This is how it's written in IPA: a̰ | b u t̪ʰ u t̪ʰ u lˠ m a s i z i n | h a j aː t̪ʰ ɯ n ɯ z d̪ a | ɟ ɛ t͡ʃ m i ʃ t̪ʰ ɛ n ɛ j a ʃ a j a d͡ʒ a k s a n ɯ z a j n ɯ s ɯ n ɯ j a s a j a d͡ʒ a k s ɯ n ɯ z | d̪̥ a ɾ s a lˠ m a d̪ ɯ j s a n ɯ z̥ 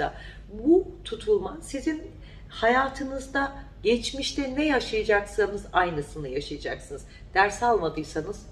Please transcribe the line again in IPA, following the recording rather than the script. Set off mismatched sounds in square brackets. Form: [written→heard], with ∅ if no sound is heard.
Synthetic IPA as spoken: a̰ | b u t̪ʰ u t̪ʰ u lˠ m a s i z i n | h a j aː t̪ʰ ɯ n ɯ z d̪ a | ɟ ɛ t͡ʃ m i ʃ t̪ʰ ɛ n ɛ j a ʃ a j a d͡ʒ a k s a n ɯ z a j n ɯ s ɯ n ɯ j a [s→ʃ] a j a d͡ʒ a k s ɯ n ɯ z | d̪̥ [a→æ] ɾ s a lˠ m a d̪ ɯ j s a n ɯ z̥